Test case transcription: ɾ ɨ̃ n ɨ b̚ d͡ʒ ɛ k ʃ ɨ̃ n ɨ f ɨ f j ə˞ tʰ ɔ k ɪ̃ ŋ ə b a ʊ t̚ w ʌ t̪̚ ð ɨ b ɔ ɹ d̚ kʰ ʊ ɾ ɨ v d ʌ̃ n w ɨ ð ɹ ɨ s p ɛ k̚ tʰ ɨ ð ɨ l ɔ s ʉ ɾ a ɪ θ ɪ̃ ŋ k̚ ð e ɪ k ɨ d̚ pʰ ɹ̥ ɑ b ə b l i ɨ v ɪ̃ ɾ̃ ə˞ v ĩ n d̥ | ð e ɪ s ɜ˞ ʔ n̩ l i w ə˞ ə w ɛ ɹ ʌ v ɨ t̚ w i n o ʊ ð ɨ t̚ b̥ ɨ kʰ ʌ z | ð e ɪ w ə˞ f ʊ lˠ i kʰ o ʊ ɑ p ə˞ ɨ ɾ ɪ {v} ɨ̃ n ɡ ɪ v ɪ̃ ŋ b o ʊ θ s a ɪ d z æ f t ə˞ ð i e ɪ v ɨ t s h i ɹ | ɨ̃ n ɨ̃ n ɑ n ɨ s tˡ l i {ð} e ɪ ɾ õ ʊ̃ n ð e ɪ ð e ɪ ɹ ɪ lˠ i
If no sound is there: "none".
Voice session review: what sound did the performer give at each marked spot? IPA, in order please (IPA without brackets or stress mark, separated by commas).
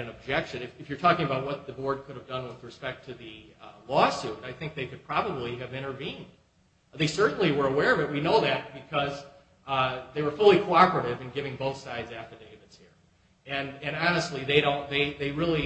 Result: v, ð